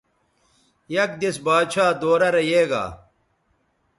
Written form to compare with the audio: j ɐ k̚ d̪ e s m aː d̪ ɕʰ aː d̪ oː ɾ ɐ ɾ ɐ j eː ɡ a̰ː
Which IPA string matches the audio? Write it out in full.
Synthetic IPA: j ɐ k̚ d̪ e s b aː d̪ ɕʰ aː d̪ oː ɾ ɐ ɾ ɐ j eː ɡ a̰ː